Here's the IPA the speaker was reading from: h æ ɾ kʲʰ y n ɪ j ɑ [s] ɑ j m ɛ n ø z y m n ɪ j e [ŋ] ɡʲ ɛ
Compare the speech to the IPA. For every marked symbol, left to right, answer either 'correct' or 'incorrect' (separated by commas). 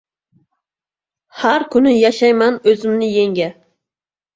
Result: incorrect, correct